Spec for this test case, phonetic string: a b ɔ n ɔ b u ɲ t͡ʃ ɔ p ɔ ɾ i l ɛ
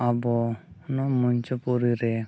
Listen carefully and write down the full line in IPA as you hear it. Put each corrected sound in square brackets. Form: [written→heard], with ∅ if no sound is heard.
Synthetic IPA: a b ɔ n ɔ [b→m] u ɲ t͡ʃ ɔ p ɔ ɾ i [l→ɾ] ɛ